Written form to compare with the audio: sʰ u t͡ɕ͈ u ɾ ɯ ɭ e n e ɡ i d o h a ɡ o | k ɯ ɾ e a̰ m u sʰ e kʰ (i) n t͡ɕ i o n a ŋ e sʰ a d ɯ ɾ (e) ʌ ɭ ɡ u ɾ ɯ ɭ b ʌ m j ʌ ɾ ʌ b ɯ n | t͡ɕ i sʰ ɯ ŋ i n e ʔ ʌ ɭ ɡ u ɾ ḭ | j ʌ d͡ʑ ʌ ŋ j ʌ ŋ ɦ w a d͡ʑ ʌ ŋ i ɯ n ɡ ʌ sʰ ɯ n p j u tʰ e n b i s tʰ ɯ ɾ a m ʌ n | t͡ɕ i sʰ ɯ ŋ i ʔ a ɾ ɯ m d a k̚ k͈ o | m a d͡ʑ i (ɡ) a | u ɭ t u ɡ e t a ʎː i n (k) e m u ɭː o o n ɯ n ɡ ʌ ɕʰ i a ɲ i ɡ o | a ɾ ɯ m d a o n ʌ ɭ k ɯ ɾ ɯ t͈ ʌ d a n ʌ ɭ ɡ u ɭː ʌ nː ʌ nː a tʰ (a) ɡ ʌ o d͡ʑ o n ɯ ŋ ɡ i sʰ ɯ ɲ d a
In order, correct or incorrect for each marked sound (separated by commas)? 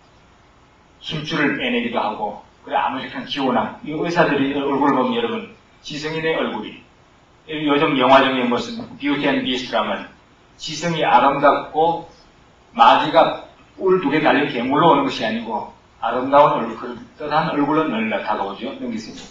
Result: incorrect, incorrect, correct, correct, correct